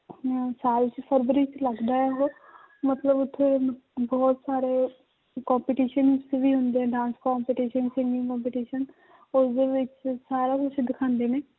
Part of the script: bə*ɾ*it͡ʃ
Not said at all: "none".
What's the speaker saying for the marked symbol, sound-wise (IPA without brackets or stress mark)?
ɾ